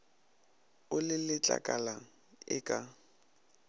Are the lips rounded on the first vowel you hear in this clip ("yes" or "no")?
yes